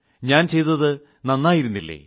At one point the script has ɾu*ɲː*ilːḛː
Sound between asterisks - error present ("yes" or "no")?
yes